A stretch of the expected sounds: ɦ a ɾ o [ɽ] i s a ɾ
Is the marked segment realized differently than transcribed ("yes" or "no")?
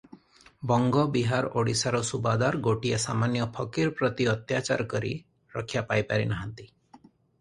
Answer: no